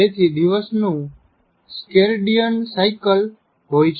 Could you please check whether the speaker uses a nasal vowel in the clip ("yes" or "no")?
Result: yes